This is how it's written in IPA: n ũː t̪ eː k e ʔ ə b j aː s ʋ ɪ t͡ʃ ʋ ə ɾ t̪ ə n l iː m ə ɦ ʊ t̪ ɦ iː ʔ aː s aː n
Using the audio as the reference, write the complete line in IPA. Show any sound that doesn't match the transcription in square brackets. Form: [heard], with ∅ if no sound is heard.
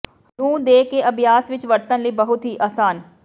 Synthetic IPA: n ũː [d̪] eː k e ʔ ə b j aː s ʋ ɪ t͡ʃ ʋ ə ɾ t̪ ə n l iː [b] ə ɦ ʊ t̪ ɦ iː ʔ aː s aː n

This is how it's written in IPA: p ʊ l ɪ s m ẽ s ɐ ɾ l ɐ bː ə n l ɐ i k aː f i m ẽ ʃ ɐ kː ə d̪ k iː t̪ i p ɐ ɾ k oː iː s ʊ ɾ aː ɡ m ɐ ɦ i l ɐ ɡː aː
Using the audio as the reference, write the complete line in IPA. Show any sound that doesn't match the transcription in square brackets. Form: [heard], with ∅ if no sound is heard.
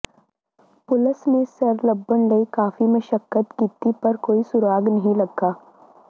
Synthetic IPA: p ʊ l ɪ s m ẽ s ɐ ɾ l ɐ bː ə n l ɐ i k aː f i m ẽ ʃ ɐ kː ə [t̪] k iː t̪ i p ɐ ɾ k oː [i] s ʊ ɾ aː ɡ [n] ɐ ɦ [ĩ] l ɐ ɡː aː

